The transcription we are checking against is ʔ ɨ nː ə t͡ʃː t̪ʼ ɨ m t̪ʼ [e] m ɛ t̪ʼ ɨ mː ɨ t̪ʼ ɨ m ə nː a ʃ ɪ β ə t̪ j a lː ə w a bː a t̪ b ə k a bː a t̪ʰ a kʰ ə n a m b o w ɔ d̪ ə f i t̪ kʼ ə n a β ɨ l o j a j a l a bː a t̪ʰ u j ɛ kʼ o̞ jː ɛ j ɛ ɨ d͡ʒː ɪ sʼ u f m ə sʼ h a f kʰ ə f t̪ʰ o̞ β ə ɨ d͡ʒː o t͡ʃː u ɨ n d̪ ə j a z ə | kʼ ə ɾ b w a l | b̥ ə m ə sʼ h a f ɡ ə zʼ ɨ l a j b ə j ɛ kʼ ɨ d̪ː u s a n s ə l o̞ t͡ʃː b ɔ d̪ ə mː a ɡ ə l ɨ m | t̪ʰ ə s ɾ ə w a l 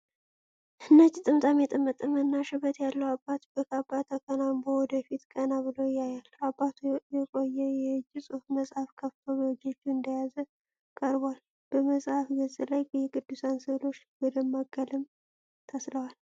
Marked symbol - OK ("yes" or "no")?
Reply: no